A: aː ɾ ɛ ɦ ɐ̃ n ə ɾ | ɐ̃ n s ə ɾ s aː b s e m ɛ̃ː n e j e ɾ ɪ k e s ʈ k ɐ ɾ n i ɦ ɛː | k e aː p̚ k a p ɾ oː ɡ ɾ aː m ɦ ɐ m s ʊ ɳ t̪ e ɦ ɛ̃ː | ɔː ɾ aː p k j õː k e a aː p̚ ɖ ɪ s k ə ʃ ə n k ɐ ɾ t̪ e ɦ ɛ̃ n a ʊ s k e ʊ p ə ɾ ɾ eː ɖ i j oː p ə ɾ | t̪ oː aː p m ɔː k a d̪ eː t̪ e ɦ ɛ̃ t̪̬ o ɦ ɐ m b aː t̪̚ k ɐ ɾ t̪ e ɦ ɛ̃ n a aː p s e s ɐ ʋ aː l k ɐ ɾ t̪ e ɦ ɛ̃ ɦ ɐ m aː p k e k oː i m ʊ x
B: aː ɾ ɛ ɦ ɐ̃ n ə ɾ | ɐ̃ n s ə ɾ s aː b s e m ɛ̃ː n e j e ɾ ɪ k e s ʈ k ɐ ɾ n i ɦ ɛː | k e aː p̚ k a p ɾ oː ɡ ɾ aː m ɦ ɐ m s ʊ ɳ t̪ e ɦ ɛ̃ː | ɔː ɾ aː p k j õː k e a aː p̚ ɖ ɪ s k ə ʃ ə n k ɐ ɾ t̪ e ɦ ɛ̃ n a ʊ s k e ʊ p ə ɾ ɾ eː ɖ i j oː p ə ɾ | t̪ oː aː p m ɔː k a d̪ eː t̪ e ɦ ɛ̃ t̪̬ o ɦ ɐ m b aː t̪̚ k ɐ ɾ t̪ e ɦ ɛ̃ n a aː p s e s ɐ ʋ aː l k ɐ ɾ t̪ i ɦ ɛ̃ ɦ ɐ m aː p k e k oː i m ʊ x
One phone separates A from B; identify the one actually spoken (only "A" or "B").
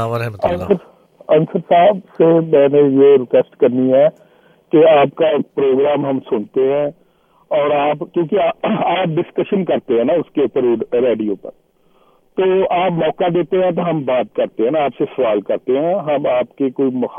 A